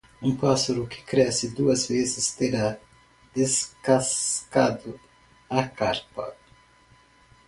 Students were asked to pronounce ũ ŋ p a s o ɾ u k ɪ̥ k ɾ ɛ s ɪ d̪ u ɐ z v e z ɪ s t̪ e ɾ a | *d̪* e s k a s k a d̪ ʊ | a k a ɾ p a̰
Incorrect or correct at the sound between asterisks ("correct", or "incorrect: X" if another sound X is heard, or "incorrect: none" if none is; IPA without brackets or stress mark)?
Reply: correct